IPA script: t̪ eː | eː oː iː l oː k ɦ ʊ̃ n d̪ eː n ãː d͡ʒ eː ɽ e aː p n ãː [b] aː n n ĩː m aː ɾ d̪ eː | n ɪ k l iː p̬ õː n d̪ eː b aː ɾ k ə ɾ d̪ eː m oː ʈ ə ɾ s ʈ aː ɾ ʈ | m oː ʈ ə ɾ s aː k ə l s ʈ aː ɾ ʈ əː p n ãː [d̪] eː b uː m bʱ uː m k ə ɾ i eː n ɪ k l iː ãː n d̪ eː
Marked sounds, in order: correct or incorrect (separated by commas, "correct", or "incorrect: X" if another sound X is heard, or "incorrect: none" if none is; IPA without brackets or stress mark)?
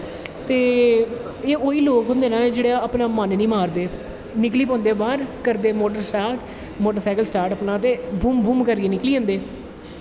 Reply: incorrect: m, incorrect: t̪